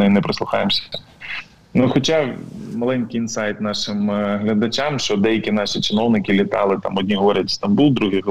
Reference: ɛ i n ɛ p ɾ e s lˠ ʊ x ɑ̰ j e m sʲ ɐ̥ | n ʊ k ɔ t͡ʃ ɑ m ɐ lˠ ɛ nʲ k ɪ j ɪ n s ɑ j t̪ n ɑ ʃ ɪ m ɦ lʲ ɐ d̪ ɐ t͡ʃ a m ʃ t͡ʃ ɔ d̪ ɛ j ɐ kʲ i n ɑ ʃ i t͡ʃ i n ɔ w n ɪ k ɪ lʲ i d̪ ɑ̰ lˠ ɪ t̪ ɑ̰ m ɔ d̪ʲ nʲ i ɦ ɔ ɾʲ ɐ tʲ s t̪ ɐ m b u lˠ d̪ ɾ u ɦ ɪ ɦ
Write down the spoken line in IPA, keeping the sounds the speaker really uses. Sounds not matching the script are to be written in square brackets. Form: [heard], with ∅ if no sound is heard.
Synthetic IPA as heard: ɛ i n ɛ p ɾ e s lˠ ʊ x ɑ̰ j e m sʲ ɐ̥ | n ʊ [x] ɔ t͡ʃ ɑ m ɐ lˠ ɛ nʲ k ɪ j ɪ n s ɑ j t̪ n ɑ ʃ ɪ m ɦ lʲ ɐ d̪ ɐ t͡ʃ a m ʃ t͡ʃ ɔ d̪ ɛ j ɐ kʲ i n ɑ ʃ i t͡ʃ [ɪ] n ɔ w n ɪ k ɪ lʲ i [t̪] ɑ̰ lˠ ɪ t̪ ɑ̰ m ɔ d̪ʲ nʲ i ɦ ɔ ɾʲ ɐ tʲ s t̪ ɐ m b u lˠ d̪ ɾ u ɦ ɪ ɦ